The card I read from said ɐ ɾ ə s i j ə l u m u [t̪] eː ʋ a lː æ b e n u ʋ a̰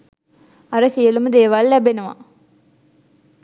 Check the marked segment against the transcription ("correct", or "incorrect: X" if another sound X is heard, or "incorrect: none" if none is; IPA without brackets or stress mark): incorrect: d̪